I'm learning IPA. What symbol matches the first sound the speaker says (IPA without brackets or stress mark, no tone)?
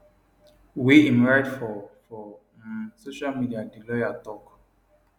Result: w